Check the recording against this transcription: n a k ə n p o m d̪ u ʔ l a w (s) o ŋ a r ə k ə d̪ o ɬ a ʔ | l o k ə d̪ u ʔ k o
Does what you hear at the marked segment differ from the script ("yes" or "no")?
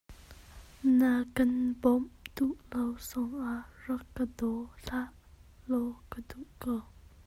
no